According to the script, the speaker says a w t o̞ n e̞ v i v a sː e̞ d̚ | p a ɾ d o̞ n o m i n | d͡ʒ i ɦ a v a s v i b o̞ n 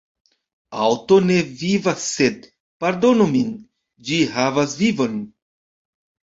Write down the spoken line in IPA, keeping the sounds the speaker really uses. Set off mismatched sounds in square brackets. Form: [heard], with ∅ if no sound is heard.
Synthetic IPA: a w t o̞ n e̞ v i v a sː e̞ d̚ | p a ɾ d o̞ n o m i n | d͡ʒ i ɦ a v a s v i [v] o̞ n